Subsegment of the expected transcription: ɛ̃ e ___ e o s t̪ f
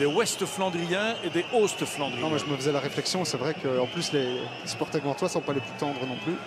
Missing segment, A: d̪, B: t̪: A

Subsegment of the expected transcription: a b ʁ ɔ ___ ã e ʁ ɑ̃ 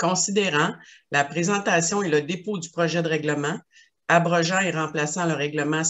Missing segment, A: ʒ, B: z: A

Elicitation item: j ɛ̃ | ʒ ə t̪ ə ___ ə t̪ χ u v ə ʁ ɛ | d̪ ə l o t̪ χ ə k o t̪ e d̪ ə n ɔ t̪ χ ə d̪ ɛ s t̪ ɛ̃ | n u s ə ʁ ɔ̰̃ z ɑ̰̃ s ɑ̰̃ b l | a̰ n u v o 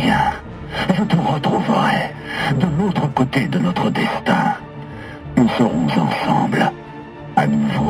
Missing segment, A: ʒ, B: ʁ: B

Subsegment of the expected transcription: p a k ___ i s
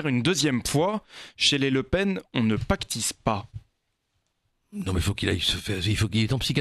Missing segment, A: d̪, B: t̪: B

